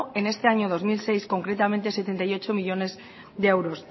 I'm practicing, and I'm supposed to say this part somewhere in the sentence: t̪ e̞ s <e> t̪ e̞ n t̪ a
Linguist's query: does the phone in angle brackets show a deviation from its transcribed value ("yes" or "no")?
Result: no